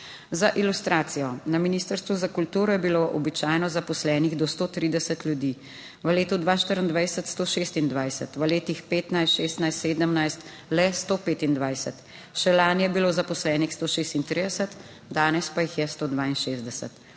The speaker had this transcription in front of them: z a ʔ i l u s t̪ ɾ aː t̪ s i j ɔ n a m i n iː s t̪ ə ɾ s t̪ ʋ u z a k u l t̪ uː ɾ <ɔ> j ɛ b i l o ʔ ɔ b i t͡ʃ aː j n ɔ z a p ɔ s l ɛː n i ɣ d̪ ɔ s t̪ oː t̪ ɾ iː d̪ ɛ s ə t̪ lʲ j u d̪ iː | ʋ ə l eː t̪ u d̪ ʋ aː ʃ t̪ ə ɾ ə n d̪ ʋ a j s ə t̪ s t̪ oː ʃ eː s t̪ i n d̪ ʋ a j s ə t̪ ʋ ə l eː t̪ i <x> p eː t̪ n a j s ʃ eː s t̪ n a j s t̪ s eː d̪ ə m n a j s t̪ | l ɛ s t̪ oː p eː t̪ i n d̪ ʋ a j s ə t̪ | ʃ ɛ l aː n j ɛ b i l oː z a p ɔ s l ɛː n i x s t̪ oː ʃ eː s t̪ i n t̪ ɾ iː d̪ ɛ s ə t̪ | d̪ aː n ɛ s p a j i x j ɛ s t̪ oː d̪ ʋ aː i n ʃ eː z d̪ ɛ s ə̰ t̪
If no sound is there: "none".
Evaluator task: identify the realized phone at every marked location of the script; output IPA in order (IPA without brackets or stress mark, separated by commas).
ɔ, x